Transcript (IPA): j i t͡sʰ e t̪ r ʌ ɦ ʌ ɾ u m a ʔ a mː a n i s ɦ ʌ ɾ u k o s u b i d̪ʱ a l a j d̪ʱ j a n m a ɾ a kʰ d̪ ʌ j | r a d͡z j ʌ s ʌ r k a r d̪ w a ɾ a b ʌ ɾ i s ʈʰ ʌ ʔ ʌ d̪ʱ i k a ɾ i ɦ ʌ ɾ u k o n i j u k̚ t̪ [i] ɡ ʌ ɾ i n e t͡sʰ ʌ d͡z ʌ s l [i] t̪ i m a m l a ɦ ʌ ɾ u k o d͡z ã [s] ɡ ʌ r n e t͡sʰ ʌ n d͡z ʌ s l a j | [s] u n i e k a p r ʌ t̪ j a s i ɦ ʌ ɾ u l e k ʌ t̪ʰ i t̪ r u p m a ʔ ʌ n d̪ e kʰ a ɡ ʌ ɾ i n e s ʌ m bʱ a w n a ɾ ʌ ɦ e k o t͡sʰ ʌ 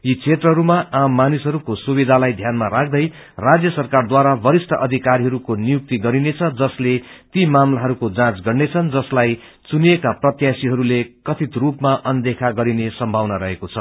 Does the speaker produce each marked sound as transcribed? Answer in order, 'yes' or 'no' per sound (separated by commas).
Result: yes, no, no, no